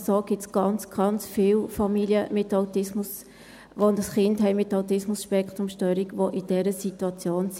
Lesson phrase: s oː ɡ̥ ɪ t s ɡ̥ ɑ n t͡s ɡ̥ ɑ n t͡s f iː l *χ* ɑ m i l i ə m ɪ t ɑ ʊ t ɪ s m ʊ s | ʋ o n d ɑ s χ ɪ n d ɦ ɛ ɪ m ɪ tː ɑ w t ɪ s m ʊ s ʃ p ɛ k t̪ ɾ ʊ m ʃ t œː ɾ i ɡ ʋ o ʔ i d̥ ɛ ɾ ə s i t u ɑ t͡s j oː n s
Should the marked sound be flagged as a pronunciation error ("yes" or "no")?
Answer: yes